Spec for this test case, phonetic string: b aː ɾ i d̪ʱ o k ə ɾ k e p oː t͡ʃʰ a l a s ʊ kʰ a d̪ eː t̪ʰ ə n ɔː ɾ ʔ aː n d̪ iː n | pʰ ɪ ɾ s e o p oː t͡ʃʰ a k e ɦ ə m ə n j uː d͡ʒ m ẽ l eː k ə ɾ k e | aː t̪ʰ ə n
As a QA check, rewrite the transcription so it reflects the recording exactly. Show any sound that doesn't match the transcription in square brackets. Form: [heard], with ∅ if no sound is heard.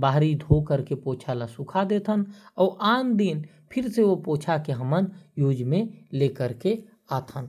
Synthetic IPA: b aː ɾ i d̪ʱ o k ə ɾ k e p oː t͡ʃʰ a l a s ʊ kʰ a d̪ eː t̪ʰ ə n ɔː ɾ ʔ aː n d̪ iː n | pʰ ɪ ɾ s e o p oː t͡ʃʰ a k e ɦ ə m ə n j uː d͡ʒ m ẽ l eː k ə ɾ k e | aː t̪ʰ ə n